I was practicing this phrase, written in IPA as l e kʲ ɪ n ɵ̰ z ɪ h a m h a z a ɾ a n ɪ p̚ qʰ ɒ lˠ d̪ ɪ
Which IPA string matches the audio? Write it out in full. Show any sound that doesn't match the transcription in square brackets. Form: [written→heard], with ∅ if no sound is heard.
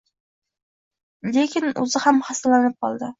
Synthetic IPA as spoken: l e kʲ ɪ n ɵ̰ z ɪ h a m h a [z→s] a [ɾ→l] a n ɪ p̚ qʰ ɒ lˠ d̪ ɪ